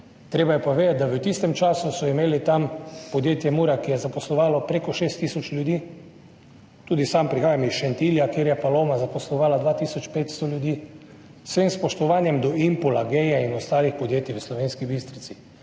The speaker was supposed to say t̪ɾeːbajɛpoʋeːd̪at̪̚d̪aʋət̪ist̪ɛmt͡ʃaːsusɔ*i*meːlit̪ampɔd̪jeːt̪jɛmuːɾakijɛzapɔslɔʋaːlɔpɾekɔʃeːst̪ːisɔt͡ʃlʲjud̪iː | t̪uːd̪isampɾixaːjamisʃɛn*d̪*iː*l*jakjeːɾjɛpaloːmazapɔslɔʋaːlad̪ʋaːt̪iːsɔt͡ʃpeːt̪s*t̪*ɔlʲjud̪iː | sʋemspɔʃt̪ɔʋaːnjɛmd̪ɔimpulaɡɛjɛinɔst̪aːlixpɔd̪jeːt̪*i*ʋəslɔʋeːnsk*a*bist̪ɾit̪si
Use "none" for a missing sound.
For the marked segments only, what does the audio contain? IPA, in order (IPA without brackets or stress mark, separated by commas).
i, t̪, l, t̪, i, i